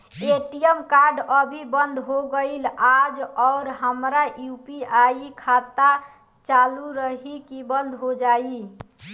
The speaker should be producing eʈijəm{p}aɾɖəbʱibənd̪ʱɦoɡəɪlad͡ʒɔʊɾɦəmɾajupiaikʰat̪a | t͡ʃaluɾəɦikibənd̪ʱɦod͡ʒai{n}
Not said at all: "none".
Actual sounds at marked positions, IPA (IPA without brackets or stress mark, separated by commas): k, none